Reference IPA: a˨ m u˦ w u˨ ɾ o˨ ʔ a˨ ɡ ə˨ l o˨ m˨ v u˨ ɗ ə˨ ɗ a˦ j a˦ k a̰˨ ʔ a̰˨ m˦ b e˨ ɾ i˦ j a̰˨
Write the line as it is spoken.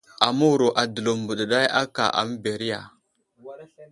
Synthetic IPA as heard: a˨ m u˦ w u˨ ɾ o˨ ʔ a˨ d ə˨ l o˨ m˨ b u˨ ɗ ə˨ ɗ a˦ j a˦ k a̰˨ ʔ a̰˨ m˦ b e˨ ɾ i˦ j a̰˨